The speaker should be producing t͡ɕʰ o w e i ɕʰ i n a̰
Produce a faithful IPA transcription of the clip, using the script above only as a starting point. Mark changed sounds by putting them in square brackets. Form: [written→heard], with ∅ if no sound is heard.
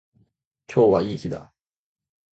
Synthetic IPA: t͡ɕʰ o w [e→a] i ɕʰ i [n→d] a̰

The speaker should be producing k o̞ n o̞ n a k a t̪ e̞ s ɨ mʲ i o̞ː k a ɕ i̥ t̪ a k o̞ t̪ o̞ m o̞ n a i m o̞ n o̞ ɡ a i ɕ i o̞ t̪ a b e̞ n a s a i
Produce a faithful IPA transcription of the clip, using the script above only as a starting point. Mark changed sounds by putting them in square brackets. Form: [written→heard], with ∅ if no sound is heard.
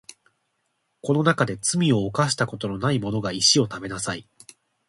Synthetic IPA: k o̞ n o̞ n a k a [t̪→d̪] e̞ [s→t͡s] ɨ mʲ i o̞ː k a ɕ i̥ t̪ a k o̞ t̪ o̞ [m→n] o̞ n a i m o̞ n o̞ ɡ a i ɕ i o̞ t̪ a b e̞ n a s a i

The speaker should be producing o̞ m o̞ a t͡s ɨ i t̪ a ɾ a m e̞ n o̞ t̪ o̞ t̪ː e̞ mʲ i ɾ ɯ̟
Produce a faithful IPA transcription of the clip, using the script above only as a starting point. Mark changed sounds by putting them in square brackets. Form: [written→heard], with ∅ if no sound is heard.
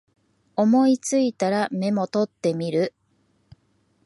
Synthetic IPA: o̞ m o̞ [a→i] t͡s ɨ i t̪ a ɾ a m e̞ [n→m] o̞ t̪ o̞ t̪ː e̞ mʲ i ɾ ɯ̟

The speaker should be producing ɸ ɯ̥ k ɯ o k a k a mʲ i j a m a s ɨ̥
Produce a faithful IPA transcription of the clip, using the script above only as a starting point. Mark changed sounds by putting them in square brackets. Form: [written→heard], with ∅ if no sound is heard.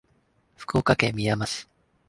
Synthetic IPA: ɸ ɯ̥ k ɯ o k a k [a→e] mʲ i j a m a s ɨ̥

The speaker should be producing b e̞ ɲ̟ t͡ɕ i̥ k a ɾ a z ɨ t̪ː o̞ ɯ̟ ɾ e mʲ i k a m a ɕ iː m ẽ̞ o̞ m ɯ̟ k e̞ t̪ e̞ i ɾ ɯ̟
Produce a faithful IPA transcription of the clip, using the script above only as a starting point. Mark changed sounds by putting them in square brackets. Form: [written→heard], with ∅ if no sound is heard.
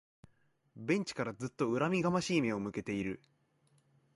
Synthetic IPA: b [e̞→ẽ̞] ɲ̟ t͡ɕ i̥ k a ɾ a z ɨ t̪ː o̞ ɯ̟ ɾ [e→a] mʲ i [k→ɡ] a m a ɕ iː m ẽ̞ o̞ m ɯ̟ k e̞ t̪ e̞ i ɾ ɯ̟

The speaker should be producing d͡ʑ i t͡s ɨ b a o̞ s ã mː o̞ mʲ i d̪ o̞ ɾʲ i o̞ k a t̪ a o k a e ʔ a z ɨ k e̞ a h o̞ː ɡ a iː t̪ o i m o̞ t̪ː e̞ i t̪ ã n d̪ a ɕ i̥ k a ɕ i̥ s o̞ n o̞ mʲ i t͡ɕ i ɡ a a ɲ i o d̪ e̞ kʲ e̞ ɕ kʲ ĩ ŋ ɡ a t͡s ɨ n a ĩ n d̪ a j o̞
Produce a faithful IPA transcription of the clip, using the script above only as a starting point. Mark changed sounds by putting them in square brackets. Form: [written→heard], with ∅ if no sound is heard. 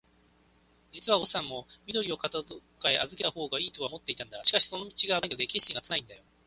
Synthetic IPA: d͡ʑ i t͡s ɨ [b→β] a o̞ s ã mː o̞ mʲ i d̪ o̞ ɾʲ i o̞ k a t̪ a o k a e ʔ a z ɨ k e̞ a h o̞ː ɡ a iː t̪ o [i→a] m o̞ t̪ː e̞ i t̪ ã n d̪ a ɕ i̥ k a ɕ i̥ s o̞ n o̞ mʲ i t͡ɕ i ɡ a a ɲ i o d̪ e̞ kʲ e̞ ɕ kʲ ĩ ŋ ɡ a t͡s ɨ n a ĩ n d̪ a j o̞

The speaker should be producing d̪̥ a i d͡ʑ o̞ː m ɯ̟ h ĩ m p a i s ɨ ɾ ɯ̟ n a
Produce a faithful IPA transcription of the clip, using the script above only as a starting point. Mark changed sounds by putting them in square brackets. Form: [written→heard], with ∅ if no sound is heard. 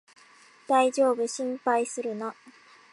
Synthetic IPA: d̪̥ a i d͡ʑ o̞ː [m→b] ɯ̟ [h→ɕ] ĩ m p a i s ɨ ɾ ɯ̟ n a

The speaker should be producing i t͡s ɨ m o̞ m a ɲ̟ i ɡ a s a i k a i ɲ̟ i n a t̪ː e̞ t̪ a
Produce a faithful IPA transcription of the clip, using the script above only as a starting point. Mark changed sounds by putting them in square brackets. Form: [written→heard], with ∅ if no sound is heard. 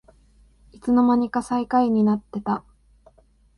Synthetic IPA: i t͡s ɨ [m→n] o̞ m a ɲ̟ i [ɡ→k] a s a i k a i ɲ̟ i n a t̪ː e̞ t̪ a

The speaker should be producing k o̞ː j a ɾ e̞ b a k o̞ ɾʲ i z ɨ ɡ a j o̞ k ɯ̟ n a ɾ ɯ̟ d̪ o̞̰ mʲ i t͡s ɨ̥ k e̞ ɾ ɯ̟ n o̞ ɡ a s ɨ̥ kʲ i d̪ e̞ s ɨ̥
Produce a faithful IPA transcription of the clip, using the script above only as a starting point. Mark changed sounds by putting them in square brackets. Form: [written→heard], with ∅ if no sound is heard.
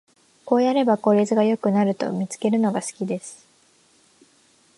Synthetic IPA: k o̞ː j a ɾ e̞ b a k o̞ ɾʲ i z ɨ ɡ a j o̞ k ɯ̟ n a ɾ ɯ̟ [d̪→t̪] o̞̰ mʲ i t͡s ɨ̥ k e̞ ɾ ɯ̟ n o̞ ɡ a s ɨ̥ kʲ i d̪ e̞ s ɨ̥

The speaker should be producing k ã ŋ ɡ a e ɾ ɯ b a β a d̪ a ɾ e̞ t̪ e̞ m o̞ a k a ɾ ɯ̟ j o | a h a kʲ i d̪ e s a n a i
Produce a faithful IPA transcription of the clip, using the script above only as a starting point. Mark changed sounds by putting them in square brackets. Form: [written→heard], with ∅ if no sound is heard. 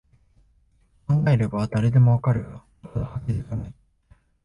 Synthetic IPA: k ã ŋ ɡ a e ɾ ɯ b a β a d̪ a ɾ e̞ [t̪→d̪] e̞ m o̞ a k a ɾ ɯ̟ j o | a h a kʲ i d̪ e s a n a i

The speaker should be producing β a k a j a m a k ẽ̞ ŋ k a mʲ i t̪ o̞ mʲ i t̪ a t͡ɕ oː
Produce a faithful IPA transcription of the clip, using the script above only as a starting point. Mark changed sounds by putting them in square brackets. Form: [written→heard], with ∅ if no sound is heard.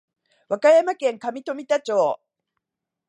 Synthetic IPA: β a k a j a m a k ẽ̞ ŋ k a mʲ i t̪ o̞ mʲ i t̪ a t͡ɕ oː

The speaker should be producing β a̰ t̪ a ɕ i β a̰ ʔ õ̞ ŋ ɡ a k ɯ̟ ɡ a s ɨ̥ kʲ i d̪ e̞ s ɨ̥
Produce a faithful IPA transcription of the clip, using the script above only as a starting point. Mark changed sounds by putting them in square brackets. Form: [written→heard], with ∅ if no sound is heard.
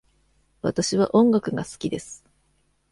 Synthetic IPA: β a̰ t̪ a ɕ i β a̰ ʔ õ̞ ŋ ɡ a k ɯ̟ ɡ a s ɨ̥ kʲ i d̪ e̞ s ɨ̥

